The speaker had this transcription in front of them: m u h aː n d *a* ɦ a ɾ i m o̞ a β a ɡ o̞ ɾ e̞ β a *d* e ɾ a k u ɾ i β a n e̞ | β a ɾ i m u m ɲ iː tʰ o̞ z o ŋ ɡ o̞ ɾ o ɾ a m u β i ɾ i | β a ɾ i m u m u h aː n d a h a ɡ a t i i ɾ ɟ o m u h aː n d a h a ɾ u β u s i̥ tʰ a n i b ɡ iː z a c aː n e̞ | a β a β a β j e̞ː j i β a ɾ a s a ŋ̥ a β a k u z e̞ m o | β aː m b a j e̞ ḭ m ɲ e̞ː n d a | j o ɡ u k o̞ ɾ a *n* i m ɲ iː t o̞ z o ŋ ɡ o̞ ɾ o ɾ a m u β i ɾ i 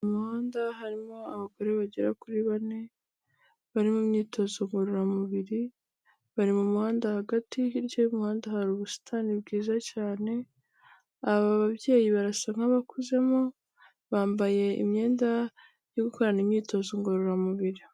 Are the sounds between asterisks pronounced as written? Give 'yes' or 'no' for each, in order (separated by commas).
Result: yes, no, yes